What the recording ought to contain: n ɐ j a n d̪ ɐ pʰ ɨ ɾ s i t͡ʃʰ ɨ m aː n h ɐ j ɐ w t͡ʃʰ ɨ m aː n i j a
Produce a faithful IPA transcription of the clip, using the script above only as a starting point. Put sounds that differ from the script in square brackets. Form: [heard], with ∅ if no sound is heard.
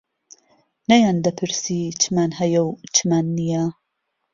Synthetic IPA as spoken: n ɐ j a n d̪ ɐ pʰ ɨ ɾ s i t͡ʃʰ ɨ m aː n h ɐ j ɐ w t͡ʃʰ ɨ m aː [nː] i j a